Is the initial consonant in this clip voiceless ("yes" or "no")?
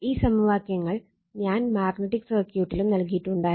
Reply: yes